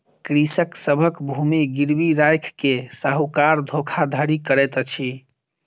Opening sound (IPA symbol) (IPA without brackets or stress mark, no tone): k